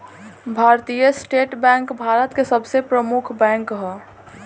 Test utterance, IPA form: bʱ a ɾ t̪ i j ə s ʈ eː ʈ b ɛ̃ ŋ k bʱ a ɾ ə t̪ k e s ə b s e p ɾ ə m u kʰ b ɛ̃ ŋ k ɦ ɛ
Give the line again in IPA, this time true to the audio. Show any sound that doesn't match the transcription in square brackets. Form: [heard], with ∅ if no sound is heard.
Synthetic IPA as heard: bʱ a ɾ t̪ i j ə s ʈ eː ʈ b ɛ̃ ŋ k bʱ a ɾ ə t̪ k e s ə b s e p ɾ ə m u kʰ b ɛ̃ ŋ k ɦ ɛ

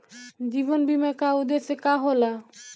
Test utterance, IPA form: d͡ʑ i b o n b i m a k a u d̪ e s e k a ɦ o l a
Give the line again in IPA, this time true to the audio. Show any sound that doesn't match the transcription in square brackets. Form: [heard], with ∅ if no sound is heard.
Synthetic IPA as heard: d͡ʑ i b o n b i m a k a u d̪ e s e k a ɦ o l a

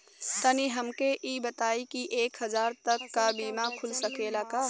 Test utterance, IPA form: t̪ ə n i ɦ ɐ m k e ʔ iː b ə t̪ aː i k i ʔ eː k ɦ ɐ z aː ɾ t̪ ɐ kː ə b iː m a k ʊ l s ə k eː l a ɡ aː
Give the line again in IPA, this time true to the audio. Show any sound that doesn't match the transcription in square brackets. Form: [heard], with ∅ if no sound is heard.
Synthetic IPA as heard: t̪ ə n i ɦ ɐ m k e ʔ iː b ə t̪ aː i k i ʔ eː k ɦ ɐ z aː ɾ t̪ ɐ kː [a] b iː m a [kʰ] ʊ l s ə k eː l a [k] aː

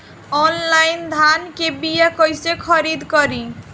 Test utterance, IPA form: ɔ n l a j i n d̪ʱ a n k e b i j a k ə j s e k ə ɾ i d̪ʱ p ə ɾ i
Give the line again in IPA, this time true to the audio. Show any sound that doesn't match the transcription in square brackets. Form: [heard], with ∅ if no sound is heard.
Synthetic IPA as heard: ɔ n l a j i n d̪ʱ a n k e b i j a k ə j s e [kʰ] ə ɾ i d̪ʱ [k] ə ɾ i

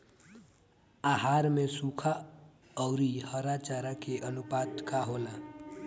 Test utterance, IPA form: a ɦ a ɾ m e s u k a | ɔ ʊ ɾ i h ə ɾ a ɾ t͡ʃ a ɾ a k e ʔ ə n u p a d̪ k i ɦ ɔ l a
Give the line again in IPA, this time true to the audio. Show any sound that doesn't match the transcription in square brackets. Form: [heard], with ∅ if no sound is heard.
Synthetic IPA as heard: a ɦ a ɾ m e s u [kʰ] a | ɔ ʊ ɾ i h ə ɾ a [∅] t͡ʃ a ɾ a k e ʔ ə n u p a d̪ k [a] ɦ [o] l a

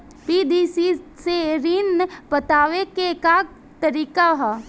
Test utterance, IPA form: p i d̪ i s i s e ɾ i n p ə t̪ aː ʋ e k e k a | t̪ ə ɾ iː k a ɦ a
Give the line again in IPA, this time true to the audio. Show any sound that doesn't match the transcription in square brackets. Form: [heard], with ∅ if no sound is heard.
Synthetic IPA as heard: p i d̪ i s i s e ɾ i n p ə t̪ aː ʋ e k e k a | t̪ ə ɾ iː k a ɦ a

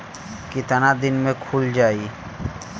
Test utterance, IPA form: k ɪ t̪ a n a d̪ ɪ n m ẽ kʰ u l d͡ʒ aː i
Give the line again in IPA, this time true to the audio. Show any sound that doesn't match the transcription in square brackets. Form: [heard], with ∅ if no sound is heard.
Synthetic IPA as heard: k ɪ t̪ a n a d̪ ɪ n m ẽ kʰ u l d͡ʒ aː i

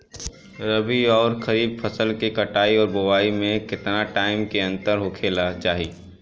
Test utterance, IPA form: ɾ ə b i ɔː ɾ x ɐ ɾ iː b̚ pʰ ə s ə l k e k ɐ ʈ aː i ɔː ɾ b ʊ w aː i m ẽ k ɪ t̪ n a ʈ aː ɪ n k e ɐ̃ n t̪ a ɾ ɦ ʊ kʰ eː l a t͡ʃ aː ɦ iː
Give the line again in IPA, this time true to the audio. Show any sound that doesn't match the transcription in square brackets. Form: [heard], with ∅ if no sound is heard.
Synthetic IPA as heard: ɾ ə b i ɔː ɾ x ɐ ɾ iː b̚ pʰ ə s ə l k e k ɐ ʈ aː i ɔː ɾ b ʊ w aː i m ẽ k ɪ t̪ n a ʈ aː ɪ [m] k e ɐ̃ n t̪ [ə] ɾ ɦ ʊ kʰ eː l a t͡ʃ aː ɦ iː

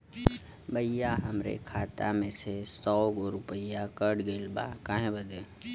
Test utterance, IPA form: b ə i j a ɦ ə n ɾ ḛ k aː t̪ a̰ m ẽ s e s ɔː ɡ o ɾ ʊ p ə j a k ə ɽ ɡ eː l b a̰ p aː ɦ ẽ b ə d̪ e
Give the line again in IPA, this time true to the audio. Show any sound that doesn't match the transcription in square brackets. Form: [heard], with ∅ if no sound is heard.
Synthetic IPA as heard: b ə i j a ɦ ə [m] ɾ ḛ [kʰ] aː t̪ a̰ m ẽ s e s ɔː ɡ o ɾ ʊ p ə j a k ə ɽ ɡ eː l b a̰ [k] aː ɦ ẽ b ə d̪ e

